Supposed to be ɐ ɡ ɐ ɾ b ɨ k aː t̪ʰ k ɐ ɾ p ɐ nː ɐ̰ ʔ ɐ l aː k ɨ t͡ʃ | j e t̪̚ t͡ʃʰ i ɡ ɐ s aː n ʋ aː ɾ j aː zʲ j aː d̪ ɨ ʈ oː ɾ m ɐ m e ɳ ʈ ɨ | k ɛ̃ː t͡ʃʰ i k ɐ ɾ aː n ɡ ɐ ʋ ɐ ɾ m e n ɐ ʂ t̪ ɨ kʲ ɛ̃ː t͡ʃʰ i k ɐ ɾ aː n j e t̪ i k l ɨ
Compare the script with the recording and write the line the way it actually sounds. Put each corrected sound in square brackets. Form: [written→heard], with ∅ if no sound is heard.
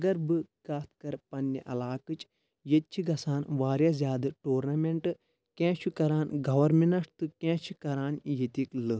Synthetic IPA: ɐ ɡ ɐ ɾ b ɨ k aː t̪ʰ k ɐ ɾ p ɐ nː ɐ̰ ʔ ɐ l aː k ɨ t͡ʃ | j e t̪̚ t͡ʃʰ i ɡ ɐ s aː n ʋ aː ɾ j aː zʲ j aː d̪ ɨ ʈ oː ɾ [m→n] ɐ m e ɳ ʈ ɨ | k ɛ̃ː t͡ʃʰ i k ɐ ɾ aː n ɡ ɐ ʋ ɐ ɾ m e n ɐ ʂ t̪ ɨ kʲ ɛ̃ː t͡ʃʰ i k ɐ ɾ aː n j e t̪ i k l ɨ